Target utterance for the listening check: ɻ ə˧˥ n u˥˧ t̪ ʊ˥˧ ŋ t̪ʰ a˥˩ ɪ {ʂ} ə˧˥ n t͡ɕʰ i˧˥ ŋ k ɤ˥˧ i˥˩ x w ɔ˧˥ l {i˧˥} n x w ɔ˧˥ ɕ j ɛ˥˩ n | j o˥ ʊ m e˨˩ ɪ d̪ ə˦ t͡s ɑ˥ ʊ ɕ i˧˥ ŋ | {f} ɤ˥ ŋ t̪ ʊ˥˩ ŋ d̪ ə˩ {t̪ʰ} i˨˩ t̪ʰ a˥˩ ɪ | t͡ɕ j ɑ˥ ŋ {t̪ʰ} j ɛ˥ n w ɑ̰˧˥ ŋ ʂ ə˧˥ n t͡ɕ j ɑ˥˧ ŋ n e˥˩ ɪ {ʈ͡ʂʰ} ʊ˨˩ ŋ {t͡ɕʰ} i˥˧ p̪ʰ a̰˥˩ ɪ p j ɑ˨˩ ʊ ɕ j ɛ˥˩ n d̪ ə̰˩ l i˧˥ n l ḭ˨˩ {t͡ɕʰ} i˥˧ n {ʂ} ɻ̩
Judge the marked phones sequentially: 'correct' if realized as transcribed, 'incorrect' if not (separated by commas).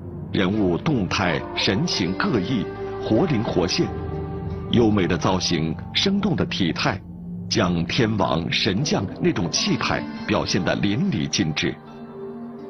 correct, correct, incorrect, correct, correct, incorrect, correct, incorrect, incorrect